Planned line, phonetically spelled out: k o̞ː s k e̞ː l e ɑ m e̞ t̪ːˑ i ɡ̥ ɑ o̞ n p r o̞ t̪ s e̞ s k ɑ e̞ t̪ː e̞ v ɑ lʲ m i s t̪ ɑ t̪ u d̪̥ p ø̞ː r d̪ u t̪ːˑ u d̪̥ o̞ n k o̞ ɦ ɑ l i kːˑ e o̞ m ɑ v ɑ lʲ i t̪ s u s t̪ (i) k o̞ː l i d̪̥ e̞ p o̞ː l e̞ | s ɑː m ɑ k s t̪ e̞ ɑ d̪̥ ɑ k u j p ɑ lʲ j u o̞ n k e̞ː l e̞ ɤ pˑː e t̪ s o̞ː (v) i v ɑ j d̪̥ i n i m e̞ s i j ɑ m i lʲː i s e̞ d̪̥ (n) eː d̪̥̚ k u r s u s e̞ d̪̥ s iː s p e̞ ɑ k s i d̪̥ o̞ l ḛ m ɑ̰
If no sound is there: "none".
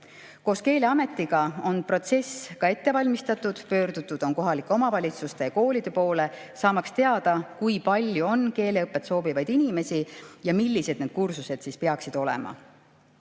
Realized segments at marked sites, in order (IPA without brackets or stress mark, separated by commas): e, b, n